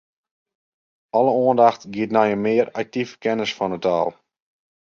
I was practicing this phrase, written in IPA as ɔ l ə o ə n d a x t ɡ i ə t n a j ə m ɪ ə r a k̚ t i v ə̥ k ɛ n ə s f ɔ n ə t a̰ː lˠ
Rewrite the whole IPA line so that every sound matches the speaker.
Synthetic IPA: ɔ l ə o ə n d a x t ɡ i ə t n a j ə m ɪ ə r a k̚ t i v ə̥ k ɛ n ə s f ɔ n ə t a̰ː lˠ